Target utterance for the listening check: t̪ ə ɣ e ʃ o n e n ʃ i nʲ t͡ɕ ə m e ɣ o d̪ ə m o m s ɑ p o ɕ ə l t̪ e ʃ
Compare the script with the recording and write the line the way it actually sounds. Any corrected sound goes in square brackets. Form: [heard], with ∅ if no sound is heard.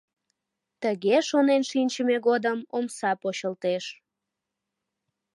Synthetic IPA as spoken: t̪ ə ɣ e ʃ o n e n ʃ i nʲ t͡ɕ ə m e ɣ o d̪ ə m o m s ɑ p o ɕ ə l t̪ e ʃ